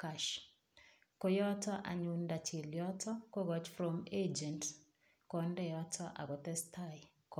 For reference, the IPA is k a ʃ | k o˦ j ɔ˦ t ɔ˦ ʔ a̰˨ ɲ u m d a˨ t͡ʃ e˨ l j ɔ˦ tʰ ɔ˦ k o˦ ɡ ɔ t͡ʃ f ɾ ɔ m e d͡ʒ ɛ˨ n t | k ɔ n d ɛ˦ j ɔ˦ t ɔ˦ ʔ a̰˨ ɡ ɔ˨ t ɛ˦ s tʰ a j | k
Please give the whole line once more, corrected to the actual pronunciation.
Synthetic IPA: k a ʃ | k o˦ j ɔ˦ t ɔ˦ ʔ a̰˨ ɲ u n d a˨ t͡ʃ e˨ l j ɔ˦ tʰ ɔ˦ k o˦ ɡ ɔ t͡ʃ f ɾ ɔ m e d͡ʒ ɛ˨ n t | k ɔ n d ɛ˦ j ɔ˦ t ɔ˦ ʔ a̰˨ ɡ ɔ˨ t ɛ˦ s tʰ a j | k